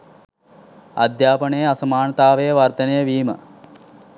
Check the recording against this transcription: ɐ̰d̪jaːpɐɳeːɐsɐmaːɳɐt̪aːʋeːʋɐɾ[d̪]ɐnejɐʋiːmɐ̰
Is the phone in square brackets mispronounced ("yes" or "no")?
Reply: yes